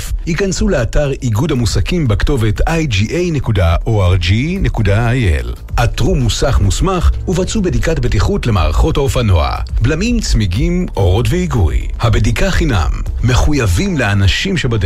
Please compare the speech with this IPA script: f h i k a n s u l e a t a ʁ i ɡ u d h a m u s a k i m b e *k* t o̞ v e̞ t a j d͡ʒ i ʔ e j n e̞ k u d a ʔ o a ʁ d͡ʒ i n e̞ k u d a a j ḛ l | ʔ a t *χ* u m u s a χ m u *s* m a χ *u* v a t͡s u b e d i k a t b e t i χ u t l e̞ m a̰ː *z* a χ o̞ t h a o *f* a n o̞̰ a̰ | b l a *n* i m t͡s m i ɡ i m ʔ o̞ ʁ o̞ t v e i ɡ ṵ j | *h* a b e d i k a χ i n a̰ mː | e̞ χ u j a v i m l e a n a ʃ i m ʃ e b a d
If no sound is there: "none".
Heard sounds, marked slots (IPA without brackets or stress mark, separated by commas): k, ʁ, s, u, ʁ, f, m, h